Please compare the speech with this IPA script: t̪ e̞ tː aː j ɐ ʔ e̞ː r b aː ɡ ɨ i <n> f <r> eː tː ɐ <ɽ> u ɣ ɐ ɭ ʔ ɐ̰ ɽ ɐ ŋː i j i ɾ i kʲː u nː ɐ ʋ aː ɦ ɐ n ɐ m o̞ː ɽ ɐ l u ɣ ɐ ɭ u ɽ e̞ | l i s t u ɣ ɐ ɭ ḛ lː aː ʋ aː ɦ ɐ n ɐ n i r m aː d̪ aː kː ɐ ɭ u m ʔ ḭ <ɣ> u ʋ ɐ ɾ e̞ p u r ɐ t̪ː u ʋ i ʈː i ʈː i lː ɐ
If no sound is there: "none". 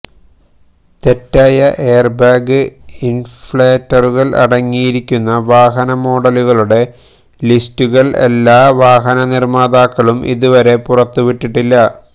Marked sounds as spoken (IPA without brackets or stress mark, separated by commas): n, ɭ, r, ð